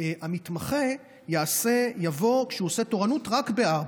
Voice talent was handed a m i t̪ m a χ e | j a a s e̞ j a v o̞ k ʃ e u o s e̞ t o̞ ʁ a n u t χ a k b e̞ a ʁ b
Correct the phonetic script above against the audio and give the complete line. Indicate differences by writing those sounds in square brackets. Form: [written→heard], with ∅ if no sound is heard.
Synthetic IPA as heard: a m i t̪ m a χ e | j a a s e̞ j a v o̞ k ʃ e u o s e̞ t o̞ ʁ a n u t [χ→ʁ] a k b e̞ a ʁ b